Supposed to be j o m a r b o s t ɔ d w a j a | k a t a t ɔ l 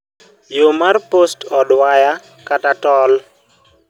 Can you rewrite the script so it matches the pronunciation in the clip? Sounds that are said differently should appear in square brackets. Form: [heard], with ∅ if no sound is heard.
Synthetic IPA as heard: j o m a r [p] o s t ɔ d w a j a | k a t a t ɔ l